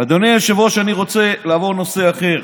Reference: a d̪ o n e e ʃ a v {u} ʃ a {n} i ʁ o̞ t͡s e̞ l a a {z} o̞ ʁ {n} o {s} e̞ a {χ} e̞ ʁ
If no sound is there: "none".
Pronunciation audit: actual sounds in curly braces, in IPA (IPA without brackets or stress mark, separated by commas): o, n, v, n, s, χ